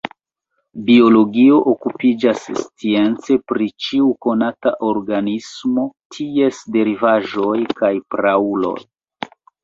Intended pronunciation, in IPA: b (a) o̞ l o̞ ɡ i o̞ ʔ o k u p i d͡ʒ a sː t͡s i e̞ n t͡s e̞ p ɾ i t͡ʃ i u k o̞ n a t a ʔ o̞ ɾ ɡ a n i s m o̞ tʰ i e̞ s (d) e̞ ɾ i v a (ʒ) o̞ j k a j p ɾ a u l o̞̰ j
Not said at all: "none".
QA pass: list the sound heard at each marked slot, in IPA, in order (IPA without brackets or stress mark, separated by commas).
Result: i, d, ʒ